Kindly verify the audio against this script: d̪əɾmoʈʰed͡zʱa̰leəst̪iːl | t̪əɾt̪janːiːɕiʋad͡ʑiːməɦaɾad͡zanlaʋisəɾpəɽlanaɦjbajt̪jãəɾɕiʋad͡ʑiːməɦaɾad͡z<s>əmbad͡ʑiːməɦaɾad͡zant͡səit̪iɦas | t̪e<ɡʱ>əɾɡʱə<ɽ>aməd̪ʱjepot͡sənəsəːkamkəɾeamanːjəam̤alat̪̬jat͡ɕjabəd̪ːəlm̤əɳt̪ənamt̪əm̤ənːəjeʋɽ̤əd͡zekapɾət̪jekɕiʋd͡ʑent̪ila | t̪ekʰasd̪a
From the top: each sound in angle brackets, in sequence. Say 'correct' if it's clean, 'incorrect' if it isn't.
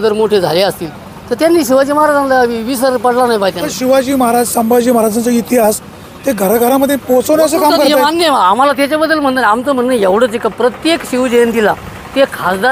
correct, correct, incorrect: ɾ

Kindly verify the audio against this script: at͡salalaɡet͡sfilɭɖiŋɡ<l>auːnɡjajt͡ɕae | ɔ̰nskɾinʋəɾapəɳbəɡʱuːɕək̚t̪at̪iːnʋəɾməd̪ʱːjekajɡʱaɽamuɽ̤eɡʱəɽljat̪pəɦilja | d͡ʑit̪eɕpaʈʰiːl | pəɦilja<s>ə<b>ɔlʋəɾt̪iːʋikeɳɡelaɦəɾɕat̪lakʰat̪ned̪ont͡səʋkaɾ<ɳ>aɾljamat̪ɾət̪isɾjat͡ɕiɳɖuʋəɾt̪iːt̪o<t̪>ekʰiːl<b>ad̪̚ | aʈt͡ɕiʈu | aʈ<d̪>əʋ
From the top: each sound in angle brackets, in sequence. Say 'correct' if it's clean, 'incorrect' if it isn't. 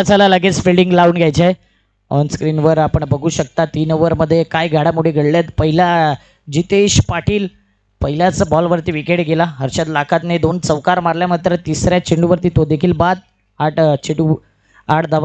correct, incorrect: t͡s, correct, incorrect: m, incorrect: d̪, correct, correct

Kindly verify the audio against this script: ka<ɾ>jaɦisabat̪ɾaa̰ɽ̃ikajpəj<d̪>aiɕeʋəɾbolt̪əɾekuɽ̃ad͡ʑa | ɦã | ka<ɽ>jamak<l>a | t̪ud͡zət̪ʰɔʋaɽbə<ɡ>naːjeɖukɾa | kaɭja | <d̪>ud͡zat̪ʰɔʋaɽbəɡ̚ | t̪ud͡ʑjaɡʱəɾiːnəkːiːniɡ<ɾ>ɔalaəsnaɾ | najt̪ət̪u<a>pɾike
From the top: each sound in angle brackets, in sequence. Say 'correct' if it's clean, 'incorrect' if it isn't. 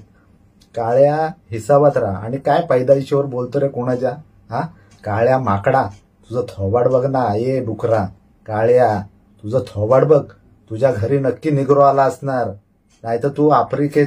incorrect: ɭ, correct, incorrect: ɭ, incorrect: ɽ, correct, incorrect: t̪, correct, correct

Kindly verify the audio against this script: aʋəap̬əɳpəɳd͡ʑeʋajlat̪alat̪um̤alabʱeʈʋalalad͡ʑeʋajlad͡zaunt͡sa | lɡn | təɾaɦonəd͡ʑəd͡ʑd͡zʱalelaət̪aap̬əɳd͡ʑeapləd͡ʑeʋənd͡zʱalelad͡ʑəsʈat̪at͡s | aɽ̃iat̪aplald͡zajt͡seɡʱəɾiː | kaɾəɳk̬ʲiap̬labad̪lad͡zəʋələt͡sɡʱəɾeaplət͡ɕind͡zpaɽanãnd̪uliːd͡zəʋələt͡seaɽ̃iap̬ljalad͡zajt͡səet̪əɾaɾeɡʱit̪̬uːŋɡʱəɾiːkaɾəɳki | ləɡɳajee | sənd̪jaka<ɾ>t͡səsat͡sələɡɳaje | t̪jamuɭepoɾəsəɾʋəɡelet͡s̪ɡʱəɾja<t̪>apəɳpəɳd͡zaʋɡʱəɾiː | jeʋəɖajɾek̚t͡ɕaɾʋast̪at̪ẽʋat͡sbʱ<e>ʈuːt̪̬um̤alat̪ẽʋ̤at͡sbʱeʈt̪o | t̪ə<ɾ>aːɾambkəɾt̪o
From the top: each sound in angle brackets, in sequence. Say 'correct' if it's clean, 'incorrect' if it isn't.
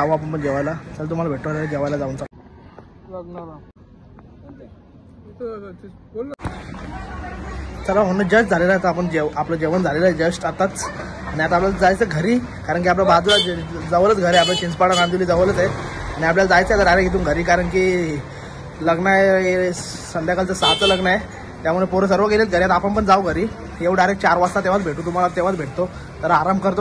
incorrect: l, correct, correct, correct

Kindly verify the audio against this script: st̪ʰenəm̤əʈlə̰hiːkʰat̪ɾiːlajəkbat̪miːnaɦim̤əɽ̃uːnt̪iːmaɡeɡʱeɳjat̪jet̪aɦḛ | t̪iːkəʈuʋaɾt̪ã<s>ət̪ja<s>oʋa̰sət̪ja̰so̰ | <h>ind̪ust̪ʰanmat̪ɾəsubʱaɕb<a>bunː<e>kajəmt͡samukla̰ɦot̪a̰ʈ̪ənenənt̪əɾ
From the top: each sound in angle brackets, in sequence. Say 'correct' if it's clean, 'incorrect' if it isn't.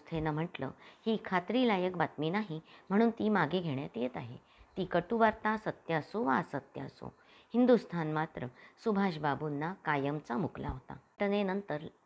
correct, correct, correct, correct, incorrect: a

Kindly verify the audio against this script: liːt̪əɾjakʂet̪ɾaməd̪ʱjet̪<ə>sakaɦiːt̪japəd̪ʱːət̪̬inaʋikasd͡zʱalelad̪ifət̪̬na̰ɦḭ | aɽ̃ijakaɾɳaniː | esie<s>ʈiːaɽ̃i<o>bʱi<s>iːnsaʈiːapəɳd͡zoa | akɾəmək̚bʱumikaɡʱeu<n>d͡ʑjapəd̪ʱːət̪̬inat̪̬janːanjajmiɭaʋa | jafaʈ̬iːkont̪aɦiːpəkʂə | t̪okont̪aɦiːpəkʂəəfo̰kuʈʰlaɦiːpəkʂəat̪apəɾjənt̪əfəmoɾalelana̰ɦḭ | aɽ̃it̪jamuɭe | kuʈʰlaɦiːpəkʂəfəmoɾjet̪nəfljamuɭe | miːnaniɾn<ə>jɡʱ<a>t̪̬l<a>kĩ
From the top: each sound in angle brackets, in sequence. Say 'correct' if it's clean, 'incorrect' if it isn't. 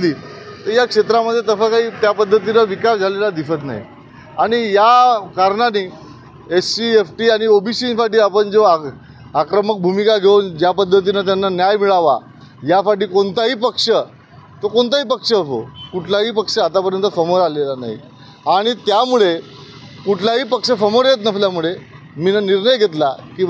correct, incorrect: f, correct, correct, correct, correct, incorrect: e, correct

